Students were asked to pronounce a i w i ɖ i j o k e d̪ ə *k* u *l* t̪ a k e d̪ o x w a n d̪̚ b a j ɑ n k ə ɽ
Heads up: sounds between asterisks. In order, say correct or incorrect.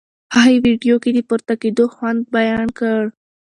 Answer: incorrect, incorrect

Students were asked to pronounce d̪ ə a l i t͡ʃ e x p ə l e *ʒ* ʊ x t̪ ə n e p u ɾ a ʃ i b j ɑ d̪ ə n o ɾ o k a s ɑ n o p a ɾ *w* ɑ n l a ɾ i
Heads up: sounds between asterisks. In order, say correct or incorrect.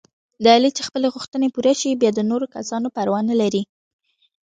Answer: incorrect, correct

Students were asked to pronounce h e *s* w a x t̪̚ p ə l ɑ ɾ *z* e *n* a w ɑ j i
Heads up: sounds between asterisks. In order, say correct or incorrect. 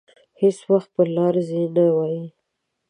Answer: correct, correct, correct

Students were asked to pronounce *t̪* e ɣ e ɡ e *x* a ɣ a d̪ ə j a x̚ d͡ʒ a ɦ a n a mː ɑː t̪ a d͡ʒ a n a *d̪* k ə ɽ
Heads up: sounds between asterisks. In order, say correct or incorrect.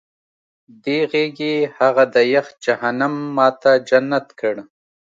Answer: incorrect, incorrect, incorrect

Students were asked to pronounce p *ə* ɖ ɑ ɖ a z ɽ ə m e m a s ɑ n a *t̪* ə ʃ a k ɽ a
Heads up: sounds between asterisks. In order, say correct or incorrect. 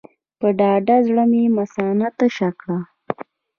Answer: correct, correct

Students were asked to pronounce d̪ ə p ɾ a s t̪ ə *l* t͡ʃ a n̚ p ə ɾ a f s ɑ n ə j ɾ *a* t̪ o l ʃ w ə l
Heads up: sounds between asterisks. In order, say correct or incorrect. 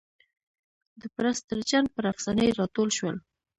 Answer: incorrect, incorrect

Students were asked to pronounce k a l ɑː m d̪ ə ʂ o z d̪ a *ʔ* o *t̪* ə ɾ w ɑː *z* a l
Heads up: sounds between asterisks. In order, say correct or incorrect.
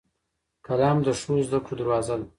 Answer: incorrect, incorrect, correct

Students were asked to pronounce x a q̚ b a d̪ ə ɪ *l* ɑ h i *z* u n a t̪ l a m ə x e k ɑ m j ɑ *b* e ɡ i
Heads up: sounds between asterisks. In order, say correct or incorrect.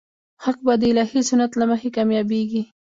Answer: correct, incorrect, correct

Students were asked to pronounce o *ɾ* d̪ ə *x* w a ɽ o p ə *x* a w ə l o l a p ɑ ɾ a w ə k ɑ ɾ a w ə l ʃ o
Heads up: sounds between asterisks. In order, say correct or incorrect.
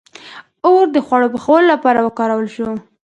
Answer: correct, correct, correct

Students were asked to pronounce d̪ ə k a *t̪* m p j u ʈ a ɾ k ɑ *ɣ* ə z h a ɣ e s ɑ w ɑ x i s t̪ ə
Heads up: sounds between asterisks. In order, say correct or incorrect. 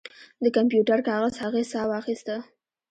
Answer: incorrect, correct

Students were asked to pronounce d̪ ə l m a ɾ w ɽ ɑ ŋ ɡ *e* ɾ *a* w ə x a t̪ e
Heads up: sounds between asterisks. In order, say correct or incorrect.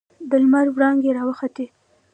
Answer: correct, incorrect

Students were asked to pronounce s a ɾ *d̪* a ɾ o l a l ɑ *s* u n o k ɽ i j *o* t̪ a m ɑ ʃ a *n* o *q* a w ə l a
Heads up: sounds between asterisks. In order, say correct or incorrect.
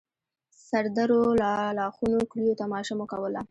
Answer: correct, incorrect, correct, incorrect, incorrect

